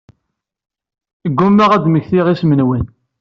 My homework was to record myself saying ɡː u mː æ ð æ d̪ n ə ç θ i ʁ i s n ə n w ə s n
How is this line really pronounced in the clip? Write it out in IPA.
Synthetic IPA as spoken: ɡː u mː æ ʁ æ d̪ m ə ç θ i ʁ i s m ə n w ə n